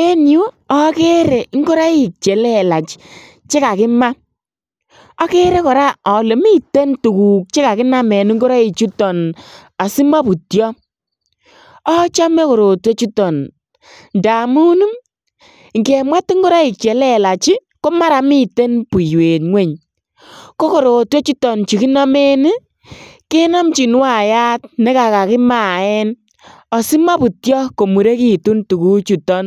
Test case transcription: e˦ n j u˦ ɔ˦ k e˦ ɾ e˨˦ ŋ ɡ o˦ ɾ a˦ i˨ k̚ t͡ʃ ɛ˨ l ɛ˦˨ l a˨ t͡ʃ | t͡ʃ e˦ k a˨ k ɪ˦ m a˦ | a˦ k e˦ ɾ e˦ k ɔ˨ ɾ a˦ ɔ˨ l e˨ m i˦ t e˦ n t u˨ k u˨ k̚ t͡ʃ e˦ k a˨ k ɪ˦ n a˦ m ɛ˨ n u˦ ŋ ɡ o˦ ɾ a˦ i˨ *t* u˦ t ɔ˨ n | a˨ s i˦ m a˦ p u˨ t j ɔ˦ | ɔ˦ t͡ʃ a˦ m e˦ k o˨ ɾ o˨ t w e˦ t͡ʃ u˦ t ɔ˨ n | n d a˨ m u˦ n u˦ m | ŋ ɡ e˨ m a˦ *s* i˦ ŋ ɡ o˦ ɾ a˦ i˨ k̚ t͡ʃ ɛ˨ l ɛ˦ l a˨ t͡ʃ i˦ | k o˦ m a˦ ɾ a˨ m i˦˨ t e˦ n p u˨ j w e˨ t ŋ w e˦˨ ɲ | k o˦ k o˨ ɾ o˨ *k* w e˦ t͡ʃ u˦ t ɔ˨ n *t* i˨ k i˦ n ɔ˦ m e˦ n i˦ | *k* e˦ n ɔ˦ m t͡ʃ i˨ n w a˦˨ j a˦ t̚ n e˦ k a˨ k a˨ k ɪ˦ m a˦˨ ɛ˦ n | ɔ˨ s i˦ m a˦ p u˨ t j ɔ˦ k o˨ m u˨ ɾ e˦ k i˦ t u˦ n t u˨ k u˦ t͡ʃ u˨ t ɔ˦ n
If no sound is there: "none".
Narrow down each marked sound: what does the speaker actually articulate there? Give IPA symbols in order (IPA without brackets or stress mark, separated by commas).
t͡ʃ, t, t, t͡ʃ, k